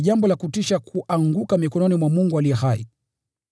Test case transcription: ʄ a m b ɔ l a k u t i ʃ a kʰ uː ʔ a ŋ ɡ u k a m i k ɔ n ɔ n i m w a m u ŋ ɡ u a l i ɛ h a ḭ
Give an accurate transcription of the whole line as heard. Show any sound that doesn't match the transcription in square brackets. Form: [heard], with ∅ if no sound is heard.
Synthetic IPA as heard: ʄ a m b ɔ l a k u t i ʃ a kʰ [u] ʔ a ŋ ɡ u k a m i k ɔ n ɔ n i m w a m u ŋ ɡ u a l i ɛ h a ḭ